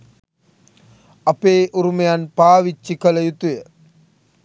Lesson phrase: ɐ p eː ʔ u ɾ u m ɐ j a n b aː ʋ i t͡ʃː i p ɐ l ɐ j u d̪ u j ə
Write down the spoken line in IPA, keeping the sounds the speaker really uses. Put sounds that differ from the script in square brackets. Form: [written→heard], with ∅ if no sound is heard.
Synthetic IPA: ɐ p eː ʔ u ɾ u m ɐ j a n [b→p] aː ʋ i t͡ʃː i [p→k] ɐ l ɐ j u [d̪→t̪] u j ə

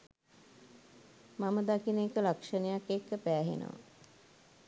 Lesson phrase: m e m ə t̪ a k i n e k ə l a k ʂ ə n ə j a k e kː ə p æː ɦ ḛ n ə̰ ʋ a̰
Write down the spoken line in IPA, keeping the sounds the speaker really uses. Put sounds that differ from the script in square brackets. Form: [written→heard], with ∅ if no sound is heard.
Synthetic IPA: m [e→a] m ə [t̪→d̪] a k i n e k ə l a k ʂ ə n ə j a k e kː ə p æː ɦ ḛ n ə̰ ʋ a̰

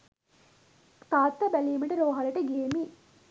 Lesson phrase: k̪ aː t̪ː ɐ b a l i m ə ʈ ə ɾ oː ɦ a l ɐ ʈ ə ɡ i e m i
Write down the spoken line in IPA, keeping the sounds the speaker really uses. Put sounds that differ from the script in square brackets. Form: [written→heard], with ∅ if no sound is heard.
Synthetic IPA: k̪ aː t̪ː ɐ b [a→æ] l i m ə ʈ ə ɾ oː ɦ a l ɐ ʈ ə ɡ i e m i

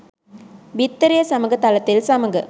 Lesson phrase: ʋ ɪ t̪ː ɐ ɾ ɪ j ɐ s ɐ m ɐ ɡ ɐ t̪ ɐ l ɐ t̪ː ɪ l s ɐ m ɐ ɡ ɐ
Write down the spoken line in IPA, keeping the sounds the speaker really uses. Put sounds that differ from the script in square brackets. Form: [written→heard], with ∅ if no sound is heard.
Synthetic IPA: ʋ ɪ t̪ː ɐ ɾ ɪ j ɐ s ɐ m ɐ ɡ ɐ t̪ ɐ l ɐ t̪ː ɪ l s ɐ m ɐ ɡ ɐ

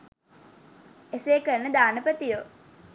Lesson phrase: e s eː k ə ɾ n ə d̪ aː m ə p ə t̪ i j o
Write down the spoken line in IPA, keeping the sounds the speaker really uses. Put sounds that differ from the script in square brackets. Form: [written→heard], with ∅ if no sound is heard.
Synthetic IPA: e s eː k ə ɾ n ə d̪ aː [m→n] ə p ə t̪ i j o

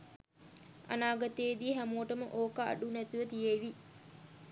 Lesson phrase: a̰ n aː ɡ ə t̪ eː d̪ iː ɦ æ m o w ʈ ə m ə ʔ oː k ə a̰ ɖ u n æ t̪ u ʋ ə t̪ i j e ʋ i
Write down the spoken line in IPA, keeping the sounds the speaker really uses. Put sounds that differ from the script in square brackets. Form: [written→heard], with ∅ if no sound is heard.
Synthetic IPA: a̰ n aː ɡ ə t̪ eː d̪ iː ɦ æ m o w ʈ ə m ə ʔ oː k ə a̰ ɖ u n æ t̪ u ʋ ə t̪ i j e ʋ i

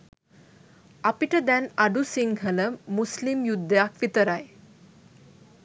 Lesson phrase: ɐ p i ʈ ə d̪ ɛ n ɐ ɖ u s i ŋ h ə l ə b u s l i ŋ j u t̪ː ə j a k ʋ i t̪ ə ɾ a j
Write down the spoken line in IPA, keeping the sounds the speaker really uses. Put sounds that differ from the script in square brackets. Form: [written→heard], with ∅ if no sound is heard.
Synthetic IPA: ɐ p i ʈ ə d̪ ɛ n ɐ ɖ u s i ŋ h ə l ə [b→m] u s l i [ŋ→m] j u [t̪ː→d̪ː] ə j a k ʋ i t̪ ə ɾ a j

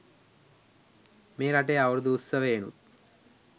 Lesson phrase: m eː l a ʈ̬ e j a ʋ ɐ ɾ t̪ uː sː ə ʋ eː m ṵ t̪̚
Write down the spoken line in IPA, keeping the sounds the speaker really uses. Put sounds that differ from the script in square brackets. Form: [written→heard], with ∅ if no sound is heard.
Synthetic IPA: m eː [l→ɾ] a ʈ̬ e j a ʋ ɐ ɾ [t̪→d̪] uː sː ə ʋ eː [m→n] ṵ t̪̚

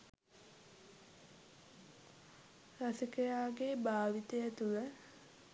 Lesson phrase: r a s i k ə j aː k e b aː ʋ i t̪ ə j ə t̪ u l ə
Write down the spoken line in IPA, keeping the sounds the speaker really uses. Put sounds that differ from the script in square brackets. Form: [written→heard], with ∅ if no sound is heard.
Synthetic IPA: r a s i k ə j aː [k→ɡ] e b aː ʋ i t̪ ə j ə t̪ u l ə

